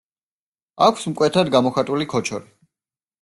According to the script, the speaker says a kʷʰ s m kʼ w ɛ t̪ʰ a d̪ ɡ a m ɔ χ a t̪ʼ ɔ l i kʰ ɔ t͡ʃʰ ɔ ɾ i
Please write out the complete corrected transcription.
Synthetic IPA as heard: a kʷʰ s m kʼ w ɛ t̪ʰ a d̪ ɡ a m ɔ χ a t̪ʼ u l i kʰ ɔ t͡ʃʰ ɔ ɾ i